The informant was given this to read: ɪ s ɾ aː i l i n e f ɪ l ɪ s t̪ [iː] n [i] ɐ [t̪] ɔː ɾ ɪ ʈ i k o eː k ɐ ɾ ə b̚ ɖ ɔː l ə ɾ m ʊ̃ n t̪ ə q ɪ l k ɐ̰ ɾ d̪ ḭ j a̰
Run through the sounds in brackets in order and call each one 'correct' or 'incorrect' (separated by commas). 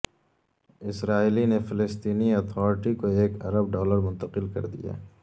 correct, correct, incorrect